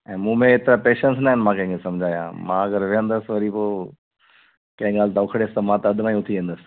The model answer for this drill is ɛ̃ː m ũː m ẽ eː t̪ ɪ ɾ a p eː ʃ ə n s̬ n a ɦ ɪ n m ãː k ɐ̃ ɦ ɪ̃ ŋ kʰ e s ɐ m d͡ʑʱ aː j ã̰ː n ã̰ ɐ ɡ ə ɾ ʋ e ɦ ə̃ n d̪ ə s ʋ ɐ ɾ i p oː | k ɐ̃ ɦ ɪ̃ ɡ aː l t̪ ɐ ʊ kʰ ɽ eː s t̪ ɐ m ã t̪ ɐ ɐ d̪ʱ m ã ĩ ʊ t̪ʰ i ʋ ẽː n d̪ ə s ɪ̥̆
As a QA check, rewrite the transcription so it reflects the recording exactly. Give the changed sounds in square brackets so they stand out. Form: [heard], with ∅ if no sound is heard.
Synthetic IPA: ɛ̃ː m ũː m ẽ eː t̪ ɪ ɾ a p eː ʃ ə n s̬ n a ɦ ɪ n m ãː k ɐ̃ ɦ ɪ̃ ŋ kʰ e s ɐ m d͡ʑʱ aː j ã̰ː [m] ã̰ ɐ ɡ ə ɾ ʋ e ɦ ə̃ n d̪ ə s ʋ ɐ ɾ i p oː | k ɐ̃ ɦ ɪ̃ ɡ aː l t̪ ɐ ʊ kʰ ɽ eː s t̪ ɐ m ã t̪ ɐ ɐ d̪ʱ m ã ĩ ʊ t̪ʰ i ʋ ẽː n d̪ ə s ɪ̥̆